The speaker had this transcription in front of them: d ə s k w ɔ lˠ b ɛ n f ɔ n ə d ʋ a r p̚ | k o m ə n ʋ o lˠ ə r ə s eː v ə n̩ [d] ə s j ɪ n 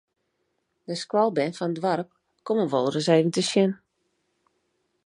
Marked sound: incorrect: t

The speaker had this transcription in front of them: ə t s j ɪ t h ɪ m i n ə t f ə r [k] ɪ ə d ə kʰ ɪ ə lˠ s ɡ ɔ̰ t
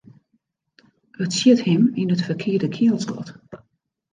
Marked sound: incorrect: kʰ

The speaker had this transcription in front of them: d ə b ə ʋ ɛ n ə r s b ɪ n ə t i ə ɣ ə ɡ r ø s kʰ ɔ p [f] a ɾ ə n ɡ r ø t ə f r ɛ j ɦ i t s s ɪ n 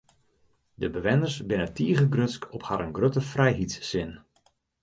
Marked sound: incorrect: h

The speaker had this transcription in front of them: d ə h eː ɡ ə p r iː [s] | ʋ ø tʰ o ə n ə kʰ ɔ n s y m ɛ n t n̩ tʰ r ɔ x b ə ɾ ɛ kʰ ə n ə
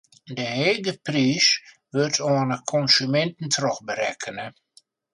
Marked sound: correct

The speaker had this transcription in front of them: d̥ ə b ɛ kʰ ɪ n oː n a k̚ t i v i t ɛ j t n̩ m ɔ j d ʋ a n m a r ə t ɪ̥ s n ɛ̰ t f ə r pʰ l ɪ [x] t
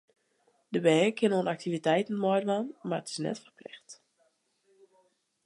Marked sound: correct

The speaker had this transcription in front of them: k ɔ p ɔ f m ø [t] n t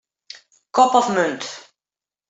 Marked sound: incorrect: none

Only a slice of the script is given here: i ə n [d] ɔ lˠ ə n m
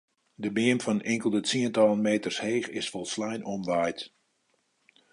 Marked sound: incorrect: t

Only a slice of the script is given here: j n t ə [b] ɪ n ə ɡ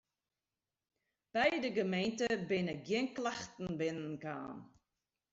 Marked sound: correct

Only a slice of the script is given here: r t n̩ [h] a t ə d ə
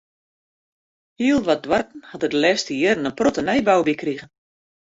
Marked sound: correct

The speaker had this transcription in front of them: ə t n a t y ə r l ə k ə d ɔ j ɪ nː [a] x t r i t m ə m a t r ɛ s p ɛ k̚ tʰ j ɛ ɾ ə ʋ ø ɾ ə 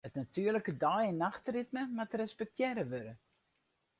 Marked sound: correct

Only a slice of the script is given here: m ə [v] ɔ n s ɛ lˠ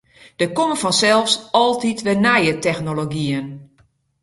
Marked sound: incorrect: f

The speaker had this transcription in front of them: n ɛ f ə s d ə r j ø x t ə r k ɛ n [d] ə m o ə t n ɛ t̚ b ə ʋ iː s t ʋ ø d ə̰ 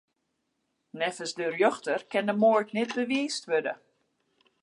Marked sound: correct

